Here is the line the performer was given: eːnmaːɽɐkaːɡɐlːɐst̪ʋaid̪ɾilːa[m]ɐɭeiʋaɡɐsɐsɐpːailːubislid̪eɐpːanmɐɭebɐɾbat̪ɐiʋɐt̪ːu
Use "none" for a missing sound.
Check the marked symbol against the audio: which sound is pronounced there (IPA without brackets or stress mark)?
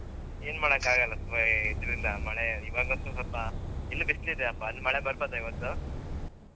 m